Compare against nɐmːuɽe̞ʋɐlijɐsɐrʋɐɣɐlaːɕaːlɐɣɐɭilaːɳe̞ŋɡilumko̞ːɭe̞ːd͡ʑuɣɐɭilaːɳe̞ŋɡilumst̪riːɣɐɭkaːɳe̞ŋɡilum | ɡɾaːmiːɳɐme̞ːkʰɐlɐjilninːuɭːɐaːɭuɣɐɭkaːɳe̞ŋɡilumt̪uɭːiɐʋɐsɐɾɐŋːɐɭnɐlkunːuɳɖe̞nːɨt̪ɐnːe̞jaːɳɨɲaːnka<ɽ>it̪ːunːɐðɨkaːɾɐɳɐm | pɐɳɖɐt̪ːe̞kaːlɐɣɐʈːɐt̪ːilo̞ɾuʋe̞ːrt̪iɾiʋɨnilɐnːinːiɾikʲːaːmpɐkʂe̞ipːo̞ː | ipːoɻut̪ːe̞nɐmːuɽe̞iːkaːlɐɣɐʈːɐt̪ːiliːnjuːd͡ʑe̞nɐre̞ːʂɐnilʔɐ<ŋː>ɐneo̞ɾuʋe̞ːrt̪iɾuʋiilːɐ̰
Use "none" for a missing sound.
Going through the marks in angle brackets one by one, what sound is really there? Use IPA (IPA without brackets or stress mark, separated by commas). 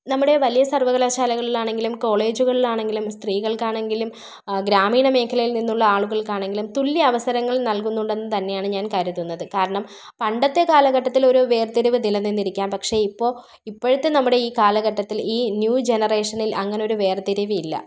ɾ, ŋː